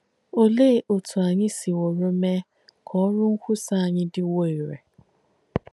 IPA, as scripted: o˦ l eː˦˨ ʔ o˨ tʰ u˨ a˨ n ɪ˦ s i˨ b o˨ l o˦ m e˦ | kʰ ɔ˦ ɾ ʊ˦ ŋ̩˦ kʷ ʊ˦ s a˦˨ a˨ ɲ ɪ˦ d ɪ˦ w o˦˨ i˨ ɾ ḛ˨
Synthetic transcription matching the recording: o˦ l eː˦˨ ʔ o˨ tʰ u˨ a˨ ɲ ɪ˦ s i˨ w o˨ ɾ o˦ m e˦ | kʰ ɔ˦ ɾ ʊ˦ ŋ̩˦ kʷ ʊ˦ s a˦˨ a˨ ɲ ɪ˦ d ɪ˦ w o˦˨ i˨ ɾ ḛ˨